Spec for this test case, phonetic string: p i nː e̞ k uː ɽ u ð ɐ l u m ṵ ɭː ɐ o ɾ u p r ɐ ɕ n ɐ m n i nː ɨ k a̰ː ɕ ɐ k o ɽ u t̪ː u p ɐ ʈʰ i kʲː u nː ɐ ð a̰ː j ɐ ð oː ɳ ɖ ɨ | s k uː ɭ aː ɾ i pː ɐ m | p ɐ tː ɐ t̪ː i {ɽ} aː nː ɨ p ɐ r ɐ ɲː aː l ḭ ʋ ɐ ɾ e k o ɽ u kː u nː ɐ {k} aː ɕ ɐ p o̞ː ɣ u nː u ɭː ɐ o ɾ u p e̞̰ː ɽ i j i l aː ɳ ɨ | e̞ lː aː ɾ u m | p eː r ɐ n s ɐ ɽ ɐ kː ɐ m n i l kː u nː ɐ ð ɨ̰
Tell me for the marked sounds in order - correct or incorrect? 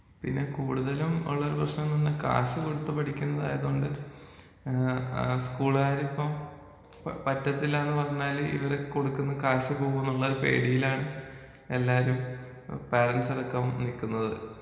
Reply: incorrect: l, correct

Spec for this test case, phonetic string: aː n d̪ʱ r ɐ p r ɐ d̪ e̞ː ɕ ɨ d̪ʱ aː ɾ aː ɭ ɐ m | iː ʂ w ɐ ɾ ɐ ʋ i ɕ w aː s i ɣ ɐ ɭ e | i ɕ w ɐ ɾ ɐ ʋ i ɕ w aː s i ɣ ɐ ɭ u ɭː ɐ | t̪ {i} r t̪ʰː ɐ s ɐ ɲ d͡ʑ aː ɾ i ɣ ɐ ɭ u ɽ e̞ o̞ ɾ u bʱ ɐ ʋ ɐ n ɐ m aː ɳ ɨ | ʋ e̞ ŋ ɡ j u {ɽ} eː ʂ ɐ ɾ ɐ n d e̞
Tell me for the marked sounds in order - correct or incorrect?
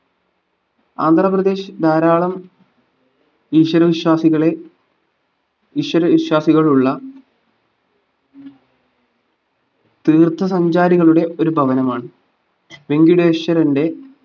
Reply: incorrect: iː, correct

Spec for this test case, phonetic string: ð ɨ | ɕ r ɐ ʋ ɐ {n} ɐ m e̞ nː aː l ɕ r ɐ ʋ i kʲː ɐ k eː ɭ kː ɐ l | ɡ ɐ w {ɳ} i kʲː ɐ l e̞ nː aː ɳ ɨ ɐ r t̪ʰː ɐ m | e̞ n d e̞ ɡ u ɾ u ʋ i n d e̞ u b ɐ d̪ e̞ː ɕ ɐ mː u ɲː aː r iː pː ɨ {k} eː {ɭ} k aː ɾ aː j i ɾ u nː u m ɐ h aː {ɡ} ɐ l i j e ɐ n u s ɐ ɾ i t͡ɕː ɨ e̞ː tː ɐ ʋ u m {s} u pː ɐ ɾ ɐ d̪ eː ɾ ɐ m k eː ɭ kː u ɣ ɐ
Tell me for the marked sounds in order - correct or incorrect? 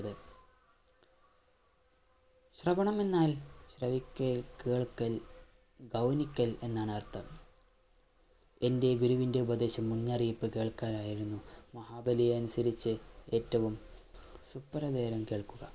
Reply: incorrect: ɳ, incorrect: n, correct, correct, incorrect: b, correct

